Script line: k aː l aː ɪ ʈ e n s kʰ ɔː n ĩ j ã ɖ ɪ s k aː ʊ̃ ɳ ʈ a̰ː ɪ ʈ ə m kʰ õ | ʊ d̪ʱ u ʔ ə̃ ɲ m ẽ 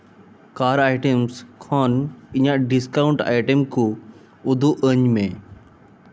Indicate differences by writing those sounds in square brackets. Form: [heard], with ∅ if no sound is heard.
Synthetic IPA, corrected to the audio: k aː [ɾ] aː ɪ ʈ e [m] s kʰ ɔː n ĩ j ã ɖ ɪ s k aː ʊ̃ ɳ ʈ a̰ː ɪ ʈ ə m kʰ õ | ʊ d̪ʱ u ʔ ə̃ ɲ m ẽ